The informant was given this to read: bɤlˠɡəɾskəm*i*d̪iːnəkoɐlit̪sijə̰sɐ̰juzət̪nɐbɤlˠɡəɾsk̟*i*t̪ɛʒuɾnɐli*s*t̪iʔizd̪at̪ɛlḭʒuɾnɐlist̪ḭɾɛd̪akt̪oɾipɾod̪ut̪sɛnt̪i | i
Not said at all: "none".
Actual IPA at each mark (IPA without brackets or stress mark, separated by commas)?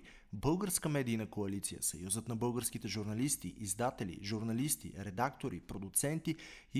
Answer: ɛ, i, s